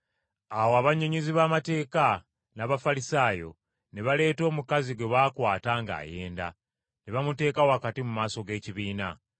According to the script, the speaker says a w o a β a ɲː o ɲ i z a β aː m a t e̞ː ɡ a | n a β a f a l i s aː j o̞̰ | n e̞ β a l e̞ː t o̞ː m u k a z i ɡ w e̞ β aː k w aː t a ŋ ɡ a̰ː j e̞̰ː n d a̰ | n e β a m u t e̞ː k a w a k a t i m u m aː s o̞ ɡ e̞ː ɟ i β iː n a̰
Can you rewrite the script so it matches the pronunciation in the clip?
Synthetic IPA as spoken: a w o a β a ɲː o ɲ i z i β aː m a t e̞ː k a | n a β a f a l i s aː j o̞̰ | n e̞ β a l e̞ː t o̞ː m u k a z i ɡ w e̞ β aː k w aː t a ŋ ɡ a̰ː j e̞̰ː n d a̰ | n e β a m u t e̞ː k a w a k a t i m u m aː s o̞ ɡ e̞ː c i β iː n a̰